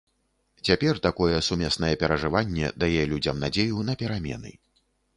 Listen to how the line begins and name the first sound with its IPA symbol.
t͡sʲ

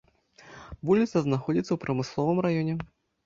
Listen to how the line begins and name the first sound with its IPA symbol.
v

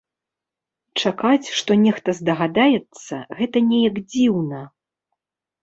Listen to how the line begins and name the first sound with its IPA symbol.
t͡ʂ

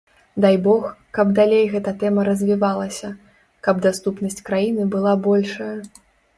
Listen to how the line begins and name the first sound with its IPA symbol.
d̪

